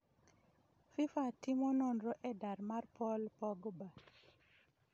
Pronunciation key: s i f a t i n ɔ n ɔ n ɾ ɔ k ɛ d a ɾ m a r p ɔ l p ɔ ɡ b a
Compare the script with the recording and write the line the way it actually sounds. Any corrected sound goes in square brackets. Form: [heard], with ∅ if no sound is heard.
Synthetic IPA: [f] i f a t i [m] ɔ n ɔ n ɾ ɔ [ʔ] ɛ d a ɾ m a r p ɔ l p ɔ ɡ b a